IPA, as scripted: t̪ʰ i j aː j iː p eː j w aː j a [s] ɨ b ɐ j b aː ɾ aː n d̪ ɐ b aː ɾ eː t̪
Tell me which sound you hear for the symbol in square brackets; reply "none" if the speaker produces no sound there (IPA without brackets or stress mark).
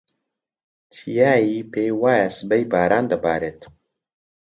s